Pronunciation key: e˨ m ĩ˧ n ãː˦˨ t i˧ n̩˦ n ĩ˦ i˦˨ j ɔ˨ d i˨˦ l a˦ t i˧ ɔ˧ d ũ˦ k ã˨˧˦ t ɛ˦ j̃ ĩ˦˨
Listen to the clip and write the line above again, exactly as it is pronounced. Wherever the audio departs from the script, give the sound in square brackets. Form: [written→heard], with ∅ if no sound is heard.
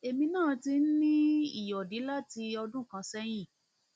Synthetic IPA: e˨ m ĩ˧ n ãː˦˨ t i˧ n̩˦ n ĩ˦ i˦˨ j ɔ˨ d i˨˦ l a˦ t i˧ ɔ˧ d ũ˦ k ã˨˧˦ [t→s] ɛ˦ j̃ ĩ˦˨

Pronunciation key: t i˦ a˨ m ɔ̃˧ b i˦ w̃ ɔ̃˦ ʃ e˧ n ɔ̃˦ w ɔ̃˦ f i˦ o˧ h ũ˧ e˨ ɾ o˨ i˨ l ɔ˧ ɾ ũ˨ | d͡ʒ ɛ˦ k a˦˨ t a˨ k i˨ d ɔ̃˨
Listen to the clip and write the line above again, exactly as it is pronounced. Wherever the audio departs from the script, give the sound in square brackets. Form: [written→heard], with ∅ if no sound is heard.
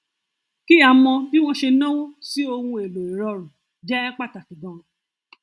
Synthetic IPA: [t→k] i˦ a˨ m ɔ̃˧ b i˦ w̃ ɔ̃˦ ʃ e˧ n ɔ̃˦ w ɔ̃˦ [f→s] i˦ o˧ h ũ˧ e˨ [ɾ→l] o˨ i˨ [l→ɾ] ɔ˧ ɾ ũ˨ | d͡ʒ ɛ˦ [k→k͡p] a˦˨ t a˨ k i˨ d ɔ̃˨

